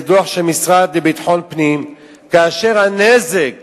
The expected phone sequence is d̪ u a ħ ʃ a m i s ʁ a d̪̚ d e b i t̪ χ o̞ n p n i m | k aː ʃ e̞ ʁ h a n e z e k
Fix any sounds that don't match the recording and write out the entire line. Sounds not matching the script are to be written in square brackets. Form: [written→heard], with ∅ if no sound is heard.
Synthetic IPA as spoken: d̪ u a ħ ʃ [a→e] m i s ʁ a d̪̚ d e b i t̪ [χ→ħ] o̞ n p n i m | k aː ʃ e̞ ʁ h a n e z e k